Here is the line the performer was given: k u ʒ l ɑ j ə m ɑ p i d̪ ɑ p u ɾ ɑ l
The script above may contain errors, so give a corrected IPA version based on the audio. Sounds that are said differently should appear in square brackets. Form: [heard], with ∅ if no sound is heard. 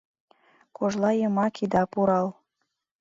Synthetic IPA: k [o] ʒ l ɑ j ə m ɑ [k] i d̪ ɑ p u ɾ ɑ l